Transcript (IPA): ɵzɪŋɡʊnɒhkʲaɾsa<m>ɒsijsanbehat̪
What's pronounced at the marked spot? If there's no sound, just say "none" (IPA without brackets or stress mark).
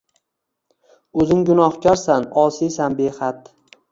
n